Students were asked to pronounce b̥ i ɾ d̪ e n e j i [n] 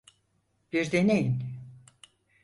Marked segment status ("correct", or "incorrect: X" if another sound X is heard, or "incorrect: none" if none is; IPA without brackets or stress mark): correct